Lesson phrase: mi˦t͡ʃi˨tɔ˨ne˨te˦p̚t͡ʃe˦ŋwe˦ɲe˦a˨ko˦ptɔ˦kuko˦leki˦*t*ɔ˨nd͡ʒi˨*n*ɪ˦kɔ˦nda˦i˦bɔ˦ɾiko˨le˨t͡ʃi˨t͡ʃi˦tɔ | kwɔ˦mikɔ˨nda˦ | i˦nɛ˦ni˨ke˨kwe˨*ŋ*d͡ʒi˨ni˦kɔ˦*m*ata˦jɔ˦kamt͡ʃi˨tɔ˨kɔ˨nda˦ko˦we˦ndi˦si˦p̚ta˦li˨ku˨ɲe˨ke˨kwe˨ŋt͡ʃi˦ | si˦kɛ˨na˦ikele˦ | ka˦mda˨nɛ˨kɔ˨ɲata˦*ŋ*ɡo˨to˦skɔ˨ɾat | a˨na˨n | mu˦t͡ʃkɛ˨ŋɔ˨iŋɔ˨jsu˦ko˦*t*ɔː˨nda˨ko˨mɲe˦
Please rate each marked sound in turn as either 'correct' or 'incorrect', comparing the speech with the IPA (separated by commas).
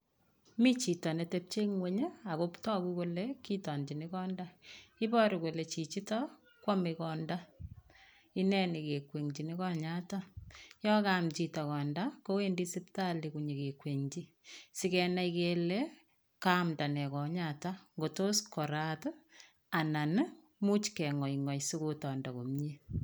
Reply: correct, correct, correct, incorrect, correct, correct